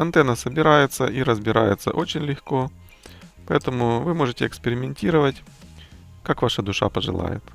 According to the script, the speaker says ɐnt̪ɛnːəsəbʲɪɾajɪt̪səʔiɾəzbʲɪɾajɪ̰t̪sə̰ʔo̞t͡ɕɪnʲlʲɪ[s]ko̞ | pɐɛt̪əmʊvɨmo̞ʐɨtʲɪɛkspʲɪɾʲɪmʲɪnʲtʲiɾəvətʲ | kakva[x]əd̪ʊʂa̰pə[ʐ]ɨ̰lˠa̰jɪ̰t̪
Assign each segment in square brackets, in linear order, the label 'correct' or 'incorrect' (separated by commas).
incorrect, incorrect, correct